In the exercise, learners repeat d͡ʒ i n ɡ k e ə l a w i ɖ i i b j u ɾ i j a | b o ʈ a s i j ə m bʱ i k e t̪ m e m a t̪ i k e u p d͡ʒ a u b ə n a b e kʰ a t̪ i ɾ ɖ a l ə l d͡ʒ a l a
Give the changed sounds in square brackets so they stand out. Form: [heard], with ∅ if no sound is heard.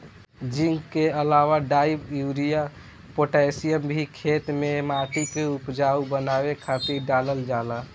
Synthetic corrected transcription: d͡ʒ i [ŋ] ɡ k e ə l a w [a] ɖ [a] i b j u ɾ i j a | [p] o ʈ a s i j ə m bʱ i [kʰ] e t̪ m e m a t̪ i k e u p d͡ʒ a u b ə n a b e kʰ a t̪ i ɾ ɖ a l ə l d͡ʒ a l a